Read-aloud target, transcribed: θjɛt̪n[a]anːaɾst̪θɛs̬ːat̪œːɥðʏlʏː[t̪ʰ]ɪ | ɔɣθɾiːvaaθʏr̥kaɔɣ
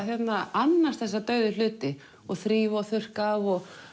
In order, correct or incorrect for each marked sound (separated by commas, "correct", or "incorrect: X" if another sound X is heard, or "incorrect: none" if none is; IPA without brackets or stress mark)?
correct, incorrect: t̪